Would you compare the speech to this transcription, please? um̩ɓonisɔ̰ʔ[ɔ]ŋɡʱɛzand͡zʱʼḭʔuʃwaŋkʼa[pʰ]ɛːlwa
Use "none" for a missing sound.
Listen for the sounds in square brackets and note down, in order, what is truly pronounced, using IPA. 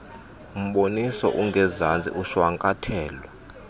u, tʰ

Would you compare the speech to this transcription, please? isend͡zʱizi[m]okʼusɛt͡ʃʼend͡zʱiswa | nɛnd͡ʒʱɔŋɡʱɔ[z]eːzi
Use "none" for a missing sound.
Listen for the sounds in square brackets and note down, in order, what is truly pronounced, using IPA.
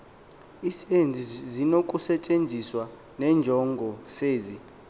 n, s

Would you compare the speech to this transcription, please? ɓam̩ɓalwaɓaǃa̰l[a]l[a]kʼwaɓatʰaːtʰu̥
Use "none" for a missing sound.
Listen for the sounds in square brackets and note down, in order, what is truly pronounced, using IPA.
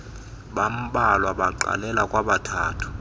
ɛ, a

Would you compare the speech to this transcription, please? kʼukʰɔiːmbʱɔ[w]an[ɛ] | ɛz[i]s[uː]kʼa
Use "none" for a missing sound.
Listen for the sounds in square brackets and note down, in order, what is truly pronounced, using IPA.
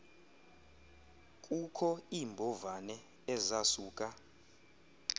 v, ɛ, a, uː

